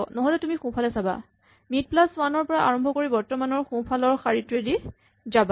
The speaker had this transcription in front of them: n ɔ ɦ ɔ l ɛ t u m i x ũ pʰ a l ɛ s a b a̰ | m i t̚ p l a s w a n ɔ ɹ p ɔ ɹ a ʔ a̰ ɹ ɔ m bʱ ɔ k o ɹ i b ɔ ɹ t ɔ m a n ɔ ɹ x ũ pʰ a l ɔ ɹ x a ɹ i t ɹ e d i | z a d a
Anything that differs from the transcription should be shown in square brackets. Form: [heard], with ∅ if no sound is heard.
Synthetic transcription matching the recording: n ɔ ɦ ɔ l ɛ t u m i x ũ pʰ a l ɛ s a b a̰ | m i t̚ p l a s w a n ɔ ɹ p ɔ ɹ a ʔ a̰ ɹ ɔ m bʱ ɔ k o ɹ i b ɔ ɹ t ɔ m a n ɔ ɹ x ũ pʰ a l ɔ ɹ x a ɹ i t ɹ e d i | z a [b] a